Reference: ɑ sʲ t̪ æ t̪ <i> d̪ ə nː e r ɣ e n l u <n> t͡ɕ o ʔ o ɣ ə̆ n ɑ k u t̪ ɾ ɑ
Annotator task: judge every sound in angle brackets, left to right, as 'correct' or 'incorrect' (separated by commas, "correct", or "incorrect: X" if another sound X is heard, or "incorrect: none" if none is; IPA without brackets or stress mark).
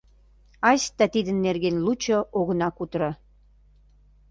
correct, incorrect: none